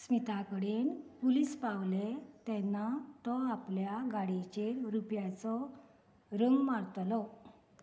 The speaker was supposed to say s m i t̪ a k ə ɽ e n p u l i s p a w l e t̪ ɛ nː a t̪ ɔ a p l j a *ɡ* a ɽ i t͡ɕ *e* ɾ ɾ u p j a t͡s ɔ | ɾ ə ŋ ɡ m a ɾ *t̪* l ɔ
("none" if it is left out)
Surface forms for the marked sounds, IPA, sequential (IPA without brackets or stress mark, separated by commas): ɡ, e, t̪